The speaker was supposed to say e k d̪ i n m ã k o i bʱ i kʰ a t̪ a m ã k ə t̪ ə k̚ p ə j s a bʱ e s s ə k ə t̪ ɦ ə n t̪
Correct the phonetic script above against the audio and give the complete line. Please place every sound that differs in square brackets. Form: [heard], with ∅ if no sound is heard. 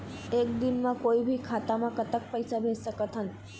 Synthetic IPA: e k d̪ i n m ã k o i bʱ i kʰ a t̪ a m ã k ə t̪ ə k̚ p ə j s a bʱ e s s ə k ə t̪ ɦ ə n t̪